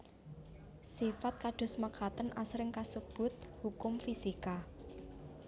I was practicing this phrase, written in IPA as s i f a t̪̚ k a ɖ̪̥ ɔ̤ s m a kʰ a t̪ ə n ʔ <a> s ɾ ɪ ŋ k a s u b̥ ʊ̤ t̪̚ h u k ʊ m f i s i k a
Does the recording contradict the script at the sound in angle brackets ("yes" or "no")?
no